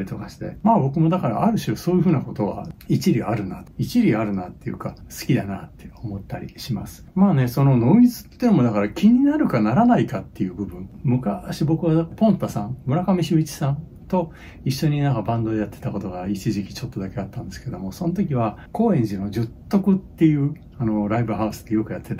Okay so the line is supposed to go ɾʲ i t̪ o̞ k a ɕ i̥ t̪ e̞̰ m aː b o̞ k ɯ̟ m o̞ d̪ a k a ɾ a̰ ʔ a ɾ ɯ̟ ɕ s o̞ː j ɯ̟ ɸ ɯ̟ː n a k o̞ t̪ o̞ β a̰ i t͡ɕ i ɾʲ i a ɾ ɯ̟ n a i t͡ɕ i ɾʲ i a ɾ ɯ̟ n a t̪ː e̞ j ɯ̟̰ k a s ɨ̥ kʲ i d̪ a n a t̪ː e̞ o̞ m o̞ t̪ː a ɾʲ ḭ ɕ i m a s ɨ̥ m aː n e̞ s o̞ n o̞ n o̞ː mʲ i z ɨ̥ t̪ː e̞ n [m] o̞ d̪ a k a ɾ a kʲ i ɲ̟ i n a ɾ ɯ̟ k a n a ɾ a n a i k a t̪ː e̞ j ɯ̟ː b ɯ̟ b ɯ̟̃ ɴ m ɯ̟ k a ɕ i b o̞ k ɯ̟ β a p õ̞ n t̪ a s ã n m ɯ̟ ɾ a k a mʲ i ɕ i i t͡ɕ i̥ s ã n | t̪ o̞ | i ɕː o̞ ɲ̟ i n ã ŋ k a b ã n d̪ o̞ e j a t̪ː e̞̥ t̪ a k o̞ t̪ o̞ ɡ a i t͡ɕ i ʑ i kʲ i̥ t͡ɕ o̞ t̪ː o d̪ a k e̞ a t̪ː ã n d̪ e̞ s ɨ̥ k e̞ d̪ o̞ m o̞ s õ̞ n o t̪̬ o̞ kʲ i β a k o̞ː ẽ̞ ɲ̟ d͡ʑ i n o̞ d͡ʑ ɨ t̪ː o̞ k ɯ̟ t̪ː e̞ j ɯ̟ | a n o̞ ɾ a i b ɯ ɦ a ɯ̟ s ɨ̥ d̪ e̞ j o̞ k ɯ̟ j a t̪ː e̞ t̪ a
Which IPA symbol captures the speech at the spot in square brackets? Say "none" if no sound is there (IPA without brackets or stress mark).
m